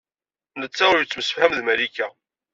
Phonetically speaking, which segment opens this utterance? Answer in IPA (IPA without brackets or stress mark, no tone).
n